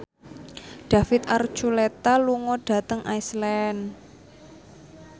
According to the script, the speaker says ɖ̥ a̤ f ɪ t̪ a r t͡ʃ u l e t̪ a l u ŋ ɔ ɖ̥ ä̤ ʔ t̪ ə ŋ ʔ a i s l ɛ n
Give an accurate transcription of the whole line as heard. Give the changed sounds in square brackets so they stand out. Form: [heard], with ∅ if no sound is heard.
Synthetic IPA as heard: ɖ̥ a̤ f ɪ t̪ a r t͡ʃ u l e t̪ a l u ŋ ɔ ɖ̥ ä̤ [∅] t̪ ə ŋ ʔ a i s l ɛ n